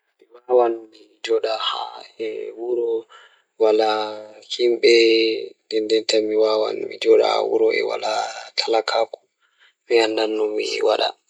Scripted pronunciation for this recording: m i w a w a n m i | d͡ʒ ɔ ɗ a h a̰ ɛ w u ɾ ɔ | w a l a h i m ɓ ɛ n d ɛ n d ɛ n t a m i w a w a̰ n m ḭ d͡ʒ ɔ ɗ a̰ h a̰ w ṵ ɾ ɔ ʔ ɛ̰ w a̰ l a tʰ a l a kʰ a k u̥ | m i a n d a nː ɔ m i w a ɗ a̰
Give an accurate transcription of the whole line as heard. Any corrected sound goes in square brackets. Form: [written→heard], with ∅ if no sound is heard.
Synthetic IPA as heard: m i w a w a n m i | d͡ʒ ɔ ɗ a h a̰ ɛ w u ɾ ɔ | w a l a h i m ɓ ɛ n d ɛ n d ɛ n t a m i w a w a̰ n m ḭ d͡ʒ ɔ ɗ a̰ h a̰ w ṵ ɾ ɔ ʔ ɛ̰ w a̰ l a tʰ a l a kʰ a k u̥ | m i a n d a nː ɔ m i w a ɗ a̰